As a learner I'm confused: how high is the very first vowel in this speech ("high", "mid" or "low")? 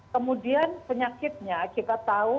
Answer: mid